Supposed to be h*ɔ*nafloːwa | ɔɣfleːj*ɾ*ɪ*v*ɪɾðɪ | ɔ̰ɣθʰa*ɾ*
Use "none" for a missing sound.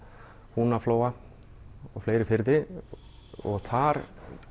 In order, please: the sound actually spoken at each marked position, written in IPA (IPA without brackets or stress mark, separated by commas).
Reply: u, ɾ, f, ɾ